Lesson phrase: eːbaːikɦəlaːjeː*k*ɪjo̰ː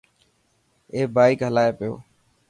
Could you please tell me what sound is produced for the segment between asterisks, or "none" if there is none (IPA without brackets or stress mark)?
p